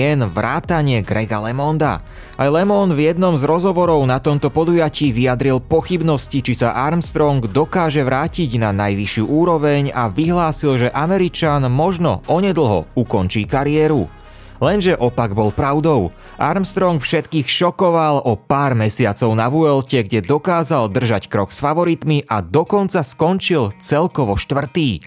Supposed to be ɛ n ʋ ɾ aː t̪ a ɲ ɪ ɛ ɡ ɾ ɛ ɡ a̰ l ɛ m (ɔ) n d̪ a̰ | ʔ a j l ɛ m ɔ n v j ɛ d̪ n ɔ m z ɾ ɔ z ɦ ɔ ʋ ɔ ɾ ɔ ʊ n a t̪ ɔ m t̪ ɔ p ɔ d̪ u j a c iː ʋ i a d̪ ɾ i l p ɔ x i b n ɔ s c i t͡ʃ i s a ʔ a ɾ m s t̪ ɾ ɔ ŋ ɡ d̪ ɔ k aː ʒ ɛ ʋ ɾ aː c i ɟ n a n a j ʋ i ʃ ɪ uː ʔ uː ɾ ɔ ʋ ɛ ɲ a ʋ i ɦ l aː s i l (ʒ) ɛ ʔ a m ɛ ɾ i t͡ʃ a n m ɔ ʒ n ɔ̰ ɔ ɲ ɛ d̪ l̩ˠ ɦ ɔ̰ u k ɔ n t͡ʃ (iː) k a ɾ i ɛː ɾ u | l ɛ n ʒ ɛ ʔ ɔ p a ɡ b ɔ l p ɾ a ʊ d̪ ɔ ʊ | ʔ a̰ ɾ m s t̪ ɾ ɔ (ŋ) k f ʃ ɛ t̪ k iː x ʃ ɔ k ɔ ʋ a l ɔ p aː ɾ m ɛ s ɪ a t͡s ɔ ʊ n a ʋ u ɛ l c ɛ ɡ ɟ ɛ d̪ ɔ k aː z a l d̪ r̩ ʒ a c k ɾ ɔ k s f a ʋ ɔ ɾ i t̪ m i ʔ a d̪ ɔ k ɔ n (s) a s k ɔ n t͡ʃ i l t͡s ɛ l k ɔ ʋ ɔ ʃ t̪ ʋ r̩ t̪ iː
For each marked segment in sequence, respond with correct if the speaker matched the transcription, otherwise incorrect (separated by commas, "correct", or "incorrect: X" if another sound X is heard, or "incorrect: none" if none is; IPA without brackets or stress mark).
correct, correct, correct, correct, incorrect: t͡s